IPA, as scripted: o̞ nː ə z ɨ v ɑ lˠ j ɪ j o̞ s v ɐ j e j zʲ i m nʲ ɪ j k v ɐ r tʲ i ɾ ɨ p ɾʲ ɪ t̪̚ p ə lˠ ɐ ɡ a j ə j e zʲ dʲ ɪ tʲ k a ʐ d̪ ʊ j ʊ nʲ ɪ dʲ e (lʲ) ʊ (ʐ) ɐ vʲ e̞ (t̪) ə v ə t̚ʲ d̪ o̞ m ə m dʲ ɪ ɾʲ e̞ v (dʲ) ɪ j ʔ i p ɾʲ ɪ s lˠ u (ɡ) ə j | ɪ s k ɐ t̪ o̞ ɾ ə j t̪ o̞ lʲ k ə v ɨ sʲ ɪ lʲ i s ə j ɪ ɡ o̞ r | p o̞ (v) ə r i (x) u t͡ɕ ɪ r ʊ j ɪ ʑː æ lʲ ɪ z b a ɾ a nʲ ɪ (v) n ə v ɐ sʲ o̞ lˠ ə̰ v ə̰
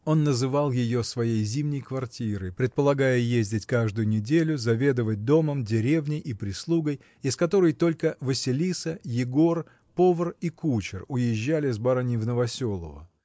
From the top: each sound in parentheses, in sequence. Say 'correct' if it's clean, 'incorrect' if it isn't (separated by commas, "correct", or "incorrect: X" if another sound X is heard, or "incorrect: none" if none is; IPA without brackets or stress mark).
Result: correct, incorrect: z, incorrect: d̪, incorrect: nʲ, correct, correct, incorrect: k, correct